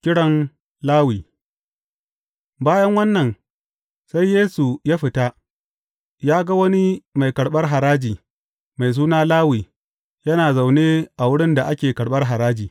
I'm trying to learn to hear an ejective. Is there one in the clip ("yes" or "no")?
no